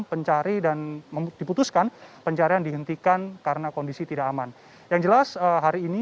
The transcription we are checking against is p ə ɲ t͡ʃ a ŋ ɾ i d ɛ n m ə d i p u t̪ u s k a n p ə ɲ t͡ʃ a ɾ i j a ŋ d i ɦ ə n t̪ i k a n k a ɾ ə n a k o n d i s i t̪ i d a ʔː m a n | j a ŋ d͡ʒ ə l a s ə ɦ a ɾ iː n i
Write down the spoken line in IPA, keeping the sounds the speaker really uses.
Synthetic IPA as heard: p ə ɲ t͡ʃ a ɾ i d a n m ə d i p u t̪ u s k a n p ə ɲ t͡ʃ a ɾ i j a ŋ d i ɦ ə n t̪ i k a n k a ɾ ə n a k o n d i s i t̪ i d a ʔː m a n | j a ŋ d͡ʒ ə l a s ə ɦ a ɾ iː n i